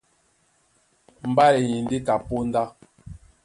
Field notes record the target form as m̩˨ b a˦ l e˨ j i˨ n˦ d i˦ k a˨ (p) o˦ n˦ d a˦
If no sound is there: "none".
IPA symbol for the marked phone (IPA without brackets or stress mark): p